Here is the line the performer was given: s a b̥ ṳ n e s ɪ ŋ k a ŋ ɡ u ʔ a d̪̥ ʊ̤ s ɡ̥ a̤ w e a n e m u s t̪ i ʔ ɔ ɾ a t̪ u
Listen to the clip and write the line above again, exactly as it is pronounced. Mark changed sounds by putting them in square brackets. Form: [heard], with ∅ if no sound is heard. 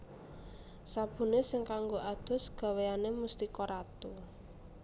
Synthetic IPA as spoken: s a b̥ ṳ n e s ɪ ŋ k a ŋ ɡ [o] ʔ a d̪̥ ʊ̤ s ɡ̥ a̤ w e a n e m u s t̪ i [k] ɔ ɾ a t̪ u